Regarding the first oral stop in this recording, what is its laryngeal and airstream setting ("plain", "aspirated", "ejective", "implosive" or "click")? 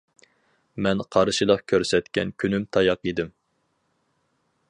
aspirated